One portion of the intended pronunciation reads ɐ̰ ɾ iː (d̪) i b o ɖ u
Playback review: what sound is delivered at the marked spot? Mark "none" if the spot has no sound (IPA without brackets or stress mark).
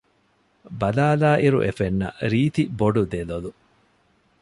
t̪